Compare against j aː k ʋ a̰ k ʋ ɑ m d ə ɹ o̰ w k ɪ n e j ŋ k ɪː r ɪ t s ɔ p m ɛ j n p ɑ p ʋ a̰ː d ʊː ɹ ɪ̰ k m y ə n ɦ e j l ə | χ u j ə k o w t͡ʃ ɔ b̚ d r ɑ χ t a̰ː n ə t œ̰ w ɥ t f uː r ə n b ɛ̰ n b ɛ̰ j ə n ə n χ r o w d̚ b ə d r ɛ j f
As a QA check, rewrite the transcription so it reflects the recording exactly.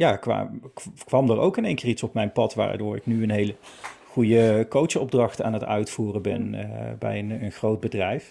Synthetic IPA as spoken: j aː k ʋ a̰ k ʋ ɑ m d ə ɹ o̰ w k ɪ n e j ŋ k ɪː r i t s ɔ p m ɛ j n p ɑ t ʋ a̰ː d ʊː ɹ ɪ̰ k n y ə n ɦ e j l ə | χ u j ə k o w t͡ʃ ɔ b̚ d r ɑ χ t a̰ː n ə t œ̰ ɥ t f uː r ə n b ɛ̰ n b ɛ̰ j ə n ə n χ r o w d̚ b ə d r ɛ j f